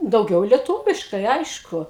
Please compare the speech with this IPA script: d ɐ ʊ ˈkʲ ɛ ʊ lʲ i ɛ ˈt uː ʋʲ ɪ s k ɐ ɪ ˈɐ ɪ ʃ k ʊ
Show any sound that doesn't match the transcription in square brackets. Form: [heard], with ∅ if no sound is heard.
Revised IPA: d ɐ ʊ [ˈɡʲ] ɛ ʊ lʲ i ɛ ˈt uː ʋʲ ɪ [ʃ] k ɐ ɪ ˈɐ ɪ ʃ k ʊ